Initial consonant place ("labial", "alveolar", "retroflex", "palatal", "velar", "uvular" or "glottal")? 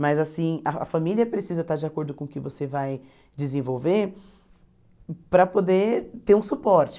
labial